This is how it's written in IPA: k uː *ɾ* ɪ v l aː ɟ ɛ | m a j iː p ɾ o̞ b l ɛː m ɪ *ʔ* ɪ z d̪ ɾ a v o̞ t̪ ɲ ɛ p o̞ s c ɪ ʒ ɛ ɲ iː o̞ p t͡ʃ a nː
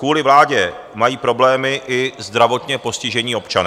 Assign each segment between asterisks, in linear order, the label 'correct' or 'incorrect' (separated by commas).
incorrect, correct